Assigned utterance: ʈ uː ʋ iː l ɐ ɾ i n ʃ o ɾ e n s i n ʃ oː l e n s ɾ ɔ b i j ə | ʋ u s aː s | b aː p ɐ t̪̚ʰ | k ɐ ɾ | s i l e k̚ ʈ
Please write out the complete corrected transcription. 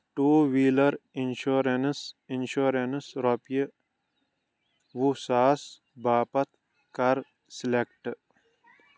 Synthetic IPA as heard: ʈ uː ʋ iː l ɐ ɾ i n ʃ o ɾ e n s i n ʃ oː ɾ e n s ɾ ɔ p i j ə | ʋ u s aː s | b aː p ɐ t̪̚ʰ | k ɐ ɾ | s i l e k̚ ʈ